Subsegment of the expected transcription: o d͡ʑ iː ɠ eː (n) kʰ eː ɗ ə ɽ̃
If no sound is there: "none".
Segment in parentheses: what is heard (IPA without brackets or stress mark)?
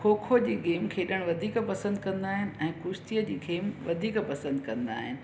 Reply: m